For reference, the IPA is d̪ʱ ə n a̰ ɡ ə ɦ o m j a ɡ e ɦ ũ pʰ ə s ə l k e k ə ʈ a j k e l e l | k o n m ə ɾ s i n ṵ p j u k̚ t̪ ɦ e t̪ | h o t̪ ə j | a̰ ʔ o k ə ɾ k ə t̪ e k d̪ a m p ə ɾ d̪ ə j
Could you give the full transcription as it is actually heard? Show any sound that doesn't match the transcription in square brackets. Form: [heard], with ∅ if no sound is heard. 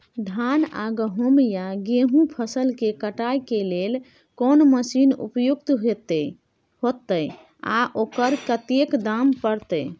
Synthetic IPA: d̪ʱ [a] n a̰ ɡ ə ɦ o m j a ɡ e ɦ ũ pʰ ə s ə l k e k ə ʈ a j k e l e l | k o n m ə [∅] s i n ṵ p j u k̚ t̪ ɦ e t̪ | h o t̪ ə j | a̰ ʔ o k ə ɾ k ə t̪ e k d̪ a m p ə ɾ [t̪] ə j